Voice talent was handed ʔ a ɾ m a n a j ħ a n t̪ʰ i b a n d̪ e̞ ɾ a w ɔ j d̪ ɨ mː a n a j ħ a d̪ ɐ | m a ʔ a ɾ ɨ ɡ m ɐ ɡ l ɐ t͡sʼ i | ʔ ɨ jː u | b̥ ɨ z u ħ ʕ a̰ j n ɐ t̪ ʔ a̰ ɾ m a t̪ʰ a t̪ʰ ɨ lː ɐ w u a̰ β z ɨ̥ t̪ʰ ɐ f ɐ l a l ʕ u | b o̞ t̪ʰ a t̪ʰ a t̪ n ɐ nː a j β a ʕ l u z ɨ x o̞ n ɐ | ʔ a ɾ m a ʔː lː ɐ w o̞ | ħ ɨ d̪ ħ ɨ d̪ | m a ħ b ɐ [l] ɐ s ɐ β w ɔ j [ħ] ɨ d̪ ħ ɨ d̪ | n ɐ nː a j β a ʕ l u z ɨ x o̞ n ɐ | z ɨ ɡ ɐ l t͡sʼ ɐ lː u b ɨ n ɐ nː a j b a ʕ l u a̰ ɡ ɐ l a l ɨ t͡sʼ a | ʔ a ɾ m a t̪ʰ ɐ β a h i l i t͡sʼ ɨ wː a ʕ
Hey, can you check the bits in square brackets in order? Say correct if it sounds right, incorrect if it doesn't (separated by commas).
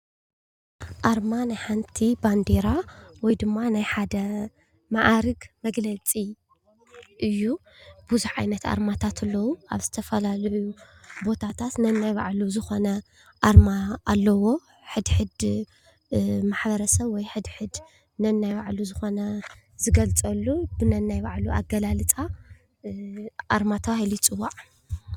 incorrect, correct